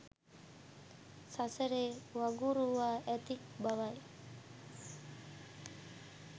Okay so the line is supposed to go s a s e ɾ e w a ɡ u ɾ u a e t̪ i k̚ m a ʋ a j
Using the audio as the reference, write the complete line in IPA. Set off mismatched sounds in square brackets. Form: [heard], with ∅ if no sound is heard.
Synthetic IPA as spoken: s a s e ɾ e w a ɡ u ɾ u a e t̪ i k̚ [b] a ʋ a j